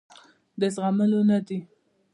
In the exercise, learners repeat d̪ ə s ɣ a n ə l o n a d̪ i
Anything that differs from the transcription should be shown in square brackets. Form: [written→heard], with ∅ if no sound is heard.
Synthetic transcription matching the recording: d̪ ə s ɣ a [n→m] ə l o n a d̪ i